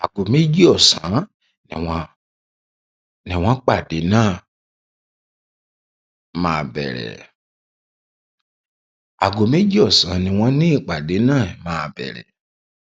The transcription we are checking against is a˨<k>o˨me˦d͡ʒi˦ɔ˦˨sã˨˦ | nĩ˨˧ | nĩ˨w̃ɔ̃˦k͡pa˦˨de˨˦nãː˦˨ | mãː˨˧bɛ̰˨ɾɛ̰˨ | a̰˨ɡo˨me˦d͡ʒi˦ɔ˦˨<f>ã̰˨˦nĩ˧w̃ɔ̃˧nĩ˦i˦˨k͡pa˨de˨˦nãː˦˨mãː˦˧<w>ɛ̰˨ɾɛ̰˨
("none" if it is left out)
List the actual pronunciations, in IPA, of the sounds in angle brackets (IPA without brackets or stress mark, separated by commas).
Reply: ɡ, s, b